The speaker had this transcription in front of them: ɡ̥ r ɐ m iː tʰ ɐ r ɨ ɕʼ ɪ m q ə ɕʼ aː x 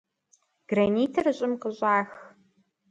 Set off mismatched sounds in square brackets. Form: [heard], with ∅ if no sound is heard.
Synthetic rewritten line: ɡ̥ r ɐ [n] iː tʰ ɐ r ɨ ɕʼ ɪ m q ə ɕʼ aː x